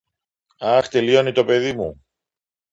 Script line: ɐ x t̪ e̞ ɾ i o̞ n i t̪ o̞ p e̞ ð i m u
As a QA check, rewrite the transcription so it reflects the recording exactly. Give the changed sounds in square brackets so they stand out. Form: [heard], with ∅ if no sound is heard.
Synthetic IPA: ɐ x t̪ e̞ [l] i o̞ n i t̪ o̞ p e̞ ð i m u